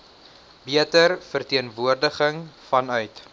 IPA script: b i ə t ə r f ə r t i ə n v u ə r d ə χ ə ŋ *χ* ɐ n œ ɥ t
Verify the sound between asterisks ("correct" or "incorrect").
incorrect